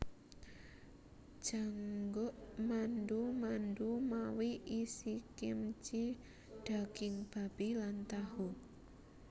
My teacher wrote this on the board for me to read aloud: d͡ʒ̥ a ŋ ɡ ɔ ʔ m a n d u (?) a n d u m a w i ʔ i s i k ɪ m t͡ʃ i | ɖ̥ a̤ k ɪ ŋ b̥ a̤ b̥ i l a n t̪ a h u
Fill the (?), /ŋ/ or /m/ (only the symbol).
m